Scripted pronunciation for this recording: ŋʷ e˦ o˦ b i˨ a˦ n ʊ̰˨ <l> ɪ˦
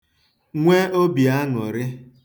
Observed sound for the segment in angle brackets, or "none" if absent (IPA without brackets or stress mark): ɾ